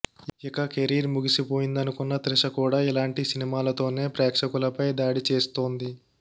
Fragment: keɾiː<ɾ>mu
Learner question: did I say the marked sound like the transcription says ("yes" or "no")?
yes